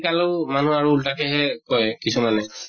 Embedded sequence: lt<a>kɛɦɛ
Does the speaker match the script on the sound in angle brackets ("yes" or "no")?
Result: yes